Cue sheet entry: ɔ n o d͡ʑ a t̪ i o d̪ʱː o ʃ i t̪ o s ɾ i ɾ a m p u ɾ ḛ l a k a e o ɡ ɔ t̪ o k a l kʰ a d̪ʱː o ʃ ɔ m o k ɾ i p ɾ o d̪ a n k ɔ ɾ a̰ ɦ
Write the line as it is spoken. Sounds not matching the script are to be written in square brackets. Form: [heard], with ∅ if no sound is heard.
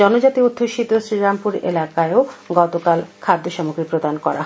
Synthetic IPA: ɔ n o d͡ʑ a t̪ i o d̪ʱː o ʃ i t̪ o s ɾ i ɾ a m p u ɾ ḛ l a k a e o ɡ ɔ t̪ o k a l kʰ a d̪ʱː o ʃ ɔ m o k ɾ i p ɾ o d̪ a n k ɔ ɾ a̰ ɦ

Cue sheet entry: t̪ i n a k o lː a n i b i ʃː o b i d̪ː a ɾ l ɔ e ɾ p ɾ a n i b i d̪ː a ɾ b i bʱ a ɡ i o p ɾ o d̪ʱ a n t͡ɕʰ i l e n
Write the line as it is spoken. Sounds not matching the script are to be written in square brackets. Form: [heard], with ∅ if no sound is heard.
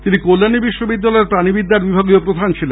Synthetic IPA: t̪ i n [i] k o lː a n i b i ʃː o b i d̪ː a [∅] l ɔ e ɾ p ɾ a n i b i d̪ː a ɾ b i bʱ a ɡ i o p ɾ o d̪ʱ a n t͡ɕʰ i l e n

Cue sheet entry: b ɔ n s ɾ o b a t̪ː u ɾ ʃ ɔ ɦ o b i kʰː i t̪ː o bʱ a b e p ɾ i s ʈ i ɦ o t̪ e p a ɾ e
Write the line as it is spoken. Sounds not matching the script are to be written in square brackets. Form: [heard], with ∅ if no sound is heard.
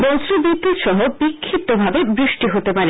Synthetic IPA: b ɔ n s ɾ o b [i] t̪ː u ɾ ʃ ɔ ɦ o b i kʰː i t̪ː o bʱ a b e [b] ɾ i [ʃ] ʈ i ɦ o t̪ e p a ɾ e

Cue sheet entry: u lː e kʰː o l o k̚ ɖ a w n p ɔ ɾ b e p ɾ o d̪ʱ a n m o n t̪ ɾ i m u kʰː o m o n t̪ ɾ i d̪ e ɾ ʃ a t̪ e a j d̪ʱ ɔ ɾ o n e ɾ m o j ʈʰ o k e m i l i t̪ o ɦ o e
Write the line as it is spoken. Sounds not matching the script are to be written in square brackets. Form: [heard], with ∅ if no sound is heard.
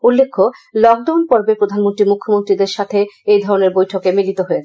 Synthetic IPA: u lː e kʰː o l [ɔ] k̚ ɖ a w n p ɔ ɾ b e p ɾ o d̪ʱ a n m o n t̪ ɾ i m u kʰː o m o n t̪ ɾ i d̪ e ɾ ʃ a [t̪ʰ] e [e] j d̪ʱ ɔ ɾ o n e ɾ [b] o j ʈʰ o k e m i l i t̪ o ɦ o e

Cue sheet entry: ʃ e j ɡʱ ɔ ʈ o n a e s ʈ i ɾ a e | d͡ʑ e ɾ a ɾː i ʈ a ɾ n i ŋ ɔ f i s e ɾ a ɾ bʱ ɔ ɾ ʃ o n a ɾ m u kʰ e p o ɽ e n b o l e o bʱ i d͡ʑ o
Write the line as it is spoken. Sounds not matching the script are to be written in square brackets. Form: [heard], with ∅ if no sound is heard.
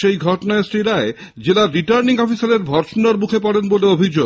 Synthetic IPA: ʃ e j ɡʱ ɔ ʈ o n a e s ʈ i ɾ a e | d͡ʑ e [l] a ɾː i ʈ a ɾ n i ŋ ɔ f i s [a] ɾ [e] ɾ bʱ ɔ ɾ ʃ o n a ɾ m u kʰ e p [ɔ] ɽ e n b o l e o bʱ i d͡ʑ o

